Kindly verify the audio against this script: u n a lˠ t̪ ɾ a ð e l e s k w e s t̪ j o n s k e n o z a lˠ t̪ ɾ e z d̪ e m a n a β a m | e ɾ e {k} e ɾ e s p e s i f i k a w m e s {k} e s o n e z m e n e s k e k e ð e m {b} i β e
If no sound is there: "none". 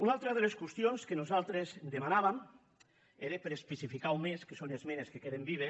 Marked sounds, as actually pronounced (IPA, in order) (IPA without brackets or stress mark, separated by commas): p, k, b